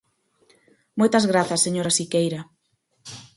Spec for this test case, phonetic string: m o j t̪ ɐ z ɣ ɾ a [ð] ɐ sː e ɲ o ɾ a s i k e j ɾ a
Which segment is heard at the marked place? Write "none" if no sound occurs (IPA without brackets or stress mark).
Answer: θ